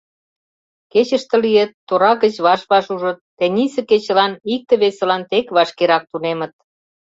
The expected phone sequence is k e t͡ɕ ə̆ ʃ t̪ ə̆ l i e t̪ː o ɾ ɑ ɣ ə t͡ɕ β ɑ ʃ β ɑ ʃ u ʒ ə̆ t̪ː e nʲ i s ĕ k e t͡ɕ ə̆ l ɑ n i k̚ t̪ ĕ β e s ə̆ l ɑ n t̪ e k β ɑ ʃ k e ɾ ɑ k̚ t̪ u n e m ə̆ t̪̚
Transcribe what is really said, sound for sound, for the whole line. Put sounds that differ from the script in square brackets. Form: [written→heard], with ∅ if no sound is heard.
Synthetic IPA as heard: k e t͡ɕ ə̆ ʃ t̪ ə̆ l i e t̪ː o ɾ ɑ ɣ ə t͡ɕ β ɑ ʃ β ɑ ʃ u ʒ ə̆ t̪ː e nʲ i s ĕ k e t͡ɕ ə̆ l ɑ n i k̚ t̪ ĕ β e s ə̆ l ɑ n t̪ e k β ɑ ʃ k e ɾ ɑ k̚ t̪ u n e m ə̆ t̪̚